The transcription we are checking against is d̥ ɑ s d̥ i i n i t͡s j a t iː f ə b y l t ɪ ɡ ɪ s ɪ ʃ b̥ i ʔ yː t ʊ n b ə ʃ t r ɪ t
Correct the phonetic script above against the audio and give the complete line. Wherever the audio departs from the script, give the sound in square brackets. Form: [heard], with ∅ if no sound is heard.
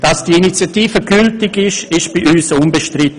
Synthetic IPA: d̥ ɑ s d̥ i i n i t͡s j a t iː f ə [ɡ] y l t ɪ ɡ ɪ [ʃ] ɪ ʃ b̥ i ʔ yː [s] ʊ n b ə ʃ t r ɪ t